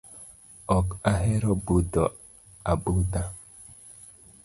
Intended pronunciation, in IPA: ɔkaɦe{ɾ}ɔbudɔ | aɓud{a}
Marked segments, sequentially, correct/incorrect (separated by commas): correct, correct